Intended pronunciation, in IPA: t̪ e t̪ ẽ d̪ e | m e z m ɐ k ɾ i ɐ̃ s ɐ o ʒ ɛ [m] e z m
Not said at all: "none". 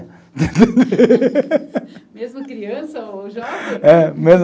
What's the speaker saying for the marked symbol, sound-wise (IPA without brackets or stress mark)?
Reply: m